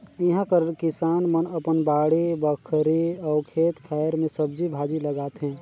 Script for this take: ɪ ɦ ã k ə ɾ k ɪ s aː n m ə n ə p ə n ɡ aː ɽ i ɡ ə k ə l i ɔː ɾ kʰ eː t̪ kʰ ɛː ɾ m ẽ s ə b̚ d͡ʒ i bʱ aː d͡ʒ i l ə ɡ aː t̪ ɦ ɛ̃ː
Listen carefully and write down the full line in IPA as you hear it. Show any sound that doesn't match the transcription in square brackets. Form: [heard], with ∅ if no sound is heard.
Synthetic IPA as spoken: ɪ ɦ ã k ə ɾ k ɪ s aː n m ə n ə p ə n [b] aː ɽ i [b] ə [kʰ] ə [ɾ] i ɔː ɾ kʰ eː t̪ kʰ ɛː ɾ m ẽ s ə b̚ d͡ʒ i bʱ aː d͡ʒ i l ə ɡ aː t̪ ɦ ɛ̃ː